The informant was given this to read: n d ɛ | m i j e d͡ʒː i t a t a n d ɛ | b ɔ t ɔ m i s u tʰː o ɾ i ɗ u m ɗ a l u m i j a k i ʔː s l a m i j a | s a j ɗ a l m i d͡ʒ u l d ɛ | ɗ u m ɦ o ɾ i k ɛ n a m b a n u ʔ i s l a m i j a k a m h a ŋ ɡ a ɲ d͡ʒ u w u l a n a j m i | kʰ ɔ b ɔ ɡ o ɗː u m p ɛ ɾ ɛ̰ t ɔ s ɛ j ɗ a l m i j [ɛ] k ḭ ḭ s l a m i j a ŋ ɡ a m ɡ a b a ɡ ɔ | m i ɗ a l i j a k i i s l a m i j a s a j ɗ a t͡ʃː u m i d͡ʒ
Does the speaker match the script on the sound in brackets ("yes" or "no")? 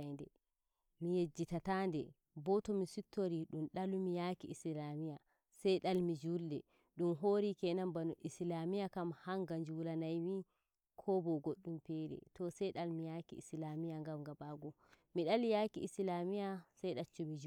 no